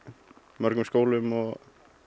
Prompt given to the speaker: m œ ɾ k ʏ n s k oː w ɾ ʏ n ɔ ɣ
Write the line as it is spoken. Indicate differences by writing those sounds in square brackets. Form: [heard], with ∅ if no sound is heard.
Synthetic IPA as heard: m œ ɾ k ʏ [m] s k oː w [l] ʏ [m] ɔ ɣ